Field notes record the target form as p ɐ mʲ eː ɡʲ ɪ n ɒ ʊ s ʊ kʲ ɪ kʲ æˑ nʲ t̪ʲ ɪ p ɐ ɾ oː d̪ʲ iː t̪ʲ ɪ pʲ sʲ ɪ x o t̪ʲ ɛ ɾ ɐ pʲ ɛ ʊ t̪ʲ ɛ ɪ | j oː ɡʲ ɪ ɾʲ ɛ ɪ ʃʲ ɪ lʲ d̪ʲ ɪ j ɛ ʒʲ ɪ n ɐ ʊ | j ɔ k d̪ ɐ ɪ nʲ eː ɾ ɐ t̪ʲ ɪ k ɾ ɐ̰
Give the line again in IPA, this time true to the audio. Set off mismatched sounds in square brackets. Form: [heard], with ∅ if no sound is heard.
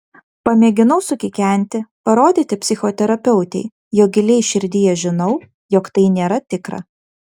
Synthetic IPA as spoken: p ɐ mʲ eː ɡʲ ɪ n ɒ ʊ s ʊ kʲ ɪ kʲ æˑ nʲ t̪ʲ ɪ p ɐ ɾ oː d̪ʲ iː t̪ʲ ɪ pʲ sʲ ɪ x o t̪ʲ ɛ ɾ ɐ pʲ ɛ ʊ t̪ʲ ɛ ɪ | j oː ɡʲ ɪ [lʲ] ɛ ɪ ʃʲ ɪ [ɾʲ] d̪ʲ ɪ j ɛ ʒʲ ɪ n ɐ ʊ | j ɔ k [t̪] ɐ ɪ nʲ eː ɾ ɐ t̪ʲ ɪ k ɾ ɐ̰